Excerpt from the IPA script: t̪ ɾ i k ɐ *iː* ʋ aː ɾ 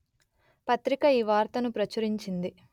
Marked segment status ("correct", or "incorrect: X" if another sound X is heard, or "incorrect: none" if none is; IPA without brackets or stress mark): correct